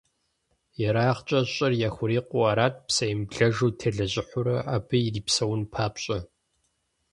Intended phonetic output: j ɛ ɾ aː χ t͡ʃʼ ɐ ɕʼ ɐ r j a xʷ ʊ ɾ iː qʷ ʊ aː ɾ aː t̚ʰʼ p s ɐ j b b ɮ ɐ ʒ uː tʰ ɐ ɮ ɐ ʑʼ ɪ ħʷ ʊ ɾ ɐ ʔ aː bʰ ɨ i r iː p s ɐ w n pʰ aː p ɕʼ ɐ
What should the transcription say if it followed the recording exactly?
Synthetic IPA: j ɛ ɾ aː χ t͡ʃʼ ɐ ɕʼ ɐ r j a xʷ ʊ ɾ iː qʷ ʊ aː ɾ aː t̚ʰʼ p s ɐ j m b ɮ ɐ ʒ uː tʰ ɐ ɮ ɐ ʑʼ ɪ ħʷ ʊ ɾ ɐ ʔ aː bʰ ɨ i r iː p s ɐ w n pʰ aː p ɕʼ ɐ